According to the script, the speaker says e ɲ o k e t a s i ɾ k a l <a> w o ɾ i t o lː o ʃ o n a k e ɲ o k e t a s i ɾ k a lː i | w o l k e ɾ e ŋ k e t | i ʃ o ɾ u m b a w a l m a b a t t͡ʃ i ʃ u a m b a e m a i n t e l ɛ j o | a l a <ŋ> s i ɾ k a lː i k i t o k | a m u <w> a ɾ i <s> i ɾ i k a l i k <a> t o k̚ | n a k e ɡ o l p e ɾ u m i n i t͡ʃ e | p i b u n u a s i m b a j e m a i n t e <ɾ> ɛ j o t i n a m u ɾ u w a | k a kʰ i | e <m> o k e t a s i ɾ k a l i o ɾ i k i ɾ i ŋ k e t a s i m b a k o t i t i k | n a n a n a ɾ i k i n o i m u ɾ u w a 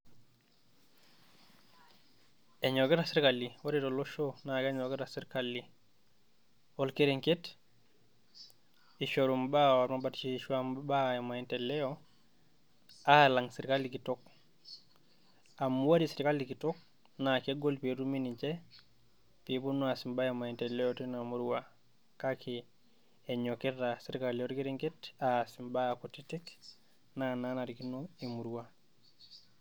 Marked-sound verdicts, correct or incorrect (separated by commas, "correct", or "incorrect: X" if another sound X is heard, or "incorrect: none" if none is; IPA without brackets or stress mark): incorrect: i, correct, correct, correct, incorrect: i, incorrect: l, incorrect: ɲ